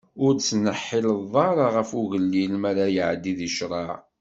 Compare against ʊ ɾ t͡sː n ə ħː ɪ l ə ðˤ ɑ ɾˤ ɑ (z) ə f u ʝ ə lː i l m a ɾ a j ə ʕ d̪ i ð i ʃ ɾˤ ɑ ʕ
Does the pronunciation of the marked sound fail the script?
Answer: yes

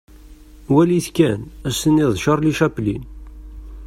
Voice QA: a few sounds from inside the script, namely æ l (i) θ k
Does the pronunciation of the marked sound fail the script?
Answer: no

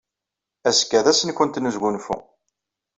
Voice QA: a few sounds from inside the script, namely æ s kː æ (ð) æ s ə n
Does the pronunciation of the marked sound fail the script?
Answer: no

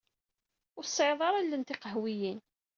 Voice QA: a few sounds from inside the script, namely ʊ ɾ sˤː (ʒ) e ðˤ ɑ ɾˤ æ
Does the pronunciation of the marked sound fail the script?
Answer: yes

